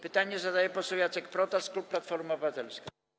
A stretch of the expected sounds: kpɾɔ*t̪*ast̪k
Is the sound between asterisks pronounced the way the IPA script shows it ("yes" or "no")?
yes